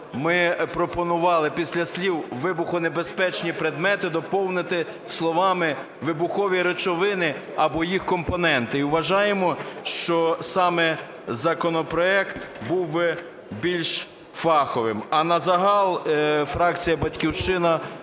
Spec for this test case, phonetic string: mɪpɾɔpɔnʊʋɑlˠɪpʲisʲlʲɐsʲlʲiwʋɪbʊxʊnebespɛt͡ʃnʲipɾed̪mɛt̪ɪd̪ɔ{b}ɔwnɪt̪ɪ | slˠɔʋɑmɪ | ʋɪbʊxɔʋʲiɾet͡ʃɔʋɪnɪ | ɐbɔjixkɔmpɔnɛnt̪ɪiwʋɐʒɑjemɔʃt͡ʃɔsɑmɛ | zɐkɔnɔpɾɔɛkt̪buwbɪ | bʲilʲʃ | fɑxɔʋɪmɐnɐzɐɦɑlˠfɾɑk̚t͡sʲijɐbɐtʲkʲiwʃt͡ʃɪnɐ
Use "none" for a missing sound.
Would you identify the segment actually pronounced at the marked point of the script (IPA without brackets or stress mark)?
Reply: p